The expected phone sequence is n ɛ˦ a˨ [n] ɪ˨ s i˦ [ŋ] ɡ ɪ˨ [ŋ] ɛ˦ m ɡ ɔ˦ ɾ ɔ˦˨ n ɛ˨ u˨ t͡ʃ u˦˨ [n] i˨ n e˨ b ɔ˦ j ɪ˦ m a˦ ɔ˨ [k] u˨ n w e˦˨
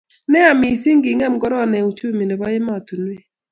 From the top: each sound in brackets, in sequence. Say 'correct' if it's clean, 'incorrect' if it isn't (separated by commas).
incorrect, correct, correct, incorrect, incorrect